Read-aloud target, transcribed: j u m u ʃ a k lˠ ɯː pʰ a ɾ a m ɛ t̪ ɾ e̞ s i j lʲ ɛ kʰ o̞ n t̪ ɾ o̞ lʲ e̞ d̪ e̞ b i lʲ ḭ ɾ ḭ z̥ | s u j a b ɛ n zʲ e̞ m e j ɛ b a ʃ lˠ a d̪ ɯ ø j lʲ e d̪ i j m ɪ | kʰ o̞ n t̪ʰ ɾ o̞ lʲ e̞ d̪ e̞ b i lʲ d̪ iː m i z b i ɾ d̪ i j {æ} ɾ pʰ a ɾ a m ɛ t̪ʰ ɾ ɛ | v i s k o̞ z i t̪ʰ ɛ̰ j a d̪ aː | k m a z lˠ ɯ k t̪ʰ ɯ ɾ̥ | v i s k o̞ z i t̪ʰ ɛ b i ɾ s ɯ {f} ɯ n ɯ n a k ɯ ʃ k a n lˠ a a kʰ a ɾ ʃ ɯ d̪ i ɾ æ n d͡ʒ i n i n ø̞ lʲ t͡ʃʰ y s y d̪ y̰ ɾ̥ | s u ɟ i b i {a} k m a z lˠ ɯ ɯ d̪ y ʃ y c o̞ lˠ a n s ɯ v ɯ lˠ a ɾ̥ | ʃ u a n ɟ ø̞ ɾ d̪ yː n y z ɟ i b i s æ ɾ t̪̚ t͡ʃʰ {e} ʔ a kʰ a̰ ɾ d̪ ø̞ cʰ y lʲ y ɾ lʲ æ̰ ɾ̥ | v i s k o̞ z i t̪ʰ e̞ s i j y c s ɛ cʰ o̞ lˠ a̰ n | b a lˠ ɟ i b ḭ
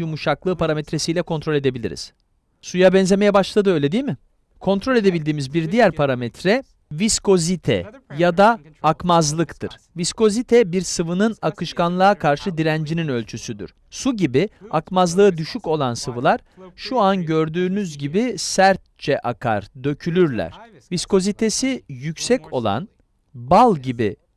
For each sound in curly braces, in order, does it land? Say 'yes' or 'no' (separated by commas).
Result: yes, no, yes, no